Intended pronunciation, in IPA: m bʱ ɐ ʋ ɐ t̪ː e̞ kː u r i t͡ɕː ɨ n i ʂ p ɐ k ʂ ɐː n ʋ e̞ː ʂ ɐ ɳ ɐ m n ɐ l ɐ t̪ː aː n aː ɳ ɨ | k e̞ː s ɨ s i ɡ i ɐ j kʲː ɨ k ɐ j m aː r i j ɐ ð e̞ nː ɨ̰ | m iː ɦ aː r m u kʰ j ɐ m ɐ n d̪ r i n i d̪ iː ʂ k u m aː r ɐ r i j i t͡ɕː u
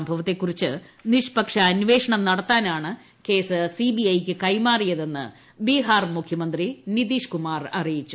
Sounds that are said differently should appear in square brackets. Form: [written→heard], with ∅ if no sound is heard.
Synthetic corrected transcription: m bʱ ɐ ʋ ɐ t̪ː e̞ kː u r i t͡ɕː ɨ n i ʂ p ɐ k ʂ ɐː n ʋ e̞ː ʂ ɐ ɳ ɐ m n ɐ [l→ɽ] ɐ t̪ː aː n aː ɳ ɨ | k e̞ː s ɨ s i [ɡ→b] i ɐ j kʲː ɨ k ɐ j m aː r i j ɐ ð e̞ nː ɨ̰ | [m→b] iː ɦ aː r m u kʰ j ɐ m ɐ n d̪ r i n i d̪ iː ʂ k u m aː r ɐ r i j i t͡ɕː u